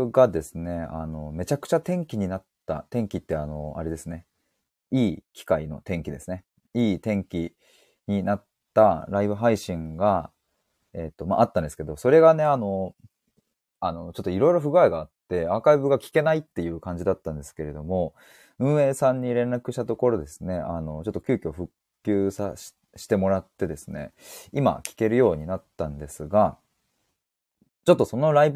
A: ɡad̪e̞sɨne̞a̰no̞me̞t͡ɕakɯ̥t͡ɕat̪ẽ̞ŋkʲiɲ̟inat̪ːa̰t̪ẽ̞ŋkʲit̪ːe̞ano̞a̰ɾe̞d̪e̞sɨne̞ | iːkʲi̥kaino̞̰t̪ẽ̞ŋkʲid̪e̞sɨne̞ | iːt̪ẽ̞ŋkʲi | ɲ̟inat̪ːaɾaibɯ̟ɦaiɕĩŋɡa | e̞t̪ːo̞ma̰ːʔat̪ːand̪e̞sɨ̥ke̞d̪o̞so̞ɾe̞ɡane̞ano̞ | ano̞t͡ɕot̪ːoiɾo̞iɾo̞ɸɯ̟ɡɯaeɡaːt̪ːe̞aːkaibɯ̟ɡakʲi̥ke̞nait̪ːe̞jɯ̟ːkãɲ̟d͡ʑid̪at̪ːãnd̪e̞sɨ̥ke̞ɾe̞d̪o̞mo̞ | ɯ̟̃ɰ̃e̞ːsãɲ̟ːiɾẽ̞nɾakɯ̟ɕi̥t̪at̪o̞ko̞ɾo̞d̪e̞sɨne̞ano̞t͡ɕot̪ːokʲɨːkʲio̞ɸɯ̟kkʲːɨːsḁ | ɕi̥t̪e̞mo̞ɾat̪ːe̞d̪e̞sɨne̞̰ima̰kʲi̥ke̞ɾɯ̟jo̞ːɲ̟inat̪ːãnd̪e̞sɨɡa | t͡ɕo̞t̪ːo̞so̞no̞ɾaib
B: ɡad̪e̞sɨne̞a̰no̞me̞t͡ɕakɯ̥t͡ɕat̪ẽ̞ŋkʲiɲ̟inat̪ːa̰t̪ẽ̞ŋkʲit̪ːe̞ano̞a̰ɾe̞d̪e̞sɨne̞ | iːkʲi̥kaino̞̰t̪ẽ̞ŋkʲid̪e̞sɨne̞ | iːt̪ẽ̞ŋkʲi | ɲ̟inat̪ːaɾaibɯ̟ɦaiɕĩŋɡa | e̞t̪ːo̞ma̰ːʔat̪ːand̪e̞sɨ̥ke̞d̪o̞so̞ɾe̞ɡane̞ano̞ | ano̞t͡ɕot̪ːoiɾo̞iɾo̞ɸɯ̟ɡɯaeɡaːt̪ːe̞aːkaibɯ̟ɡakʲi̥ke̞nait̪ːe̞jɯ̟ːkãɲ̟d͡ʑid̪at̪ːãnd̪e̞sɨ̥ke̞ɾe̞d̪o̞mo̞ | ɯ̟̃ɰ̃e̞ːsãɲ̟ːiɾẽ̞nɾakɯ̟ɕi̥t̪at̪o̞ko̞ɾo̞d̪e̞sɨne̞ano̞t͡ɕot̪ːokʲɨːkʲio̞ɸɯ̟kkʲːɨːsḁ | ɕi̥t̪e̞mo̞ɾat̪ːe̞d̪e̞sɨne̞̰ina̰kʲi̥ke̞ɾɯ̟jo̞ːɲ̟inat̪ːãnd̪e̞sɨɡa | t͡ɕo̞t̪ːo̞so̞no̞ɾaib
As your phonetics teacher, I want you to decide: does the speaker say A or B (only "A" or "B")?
A